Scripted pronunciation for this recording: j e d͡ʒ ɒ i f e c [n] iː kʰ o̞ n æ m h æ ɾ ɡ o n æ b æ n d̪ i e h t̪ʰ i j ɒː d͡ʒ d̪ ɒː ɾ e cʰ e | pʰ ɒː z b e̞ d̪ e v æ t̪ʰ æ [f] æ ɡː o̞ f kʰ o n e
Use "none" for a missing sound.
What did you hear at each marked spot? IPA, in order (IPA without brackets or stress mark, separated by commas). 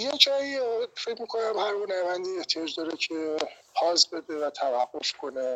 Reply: m, v